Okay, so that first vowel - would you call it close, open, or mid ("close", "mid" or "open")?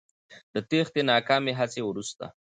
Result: mid